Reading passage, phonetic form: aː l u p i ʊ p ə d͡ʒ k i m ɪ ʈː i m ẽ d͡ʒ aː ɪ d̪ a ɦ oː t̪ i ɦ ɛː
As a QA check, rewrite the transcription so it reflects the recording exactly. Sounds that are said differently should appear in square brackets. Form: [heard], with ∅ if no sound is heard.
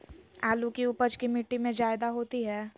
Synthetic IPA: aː l u [k] i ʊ p ə d͡ʒ k i m ɪ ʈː i m ẽ d͡ʒ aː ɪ d̪ a ɦ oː t̪ i ɦ ɛː